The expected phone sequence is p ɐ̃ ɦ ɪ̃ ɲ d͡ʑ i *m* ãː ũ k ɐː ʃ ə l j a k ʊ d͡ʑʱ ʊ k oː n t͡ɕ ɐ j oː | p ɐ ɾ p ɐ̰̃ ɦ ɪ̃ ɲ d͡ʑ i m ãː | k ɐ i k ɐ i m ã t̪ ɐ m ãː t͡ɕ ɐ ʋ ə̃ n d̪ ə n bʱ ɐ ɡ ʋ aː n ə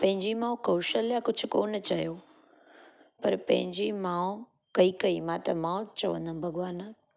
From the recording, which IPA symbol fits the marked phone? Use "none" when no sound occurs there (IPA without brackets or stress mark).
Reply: m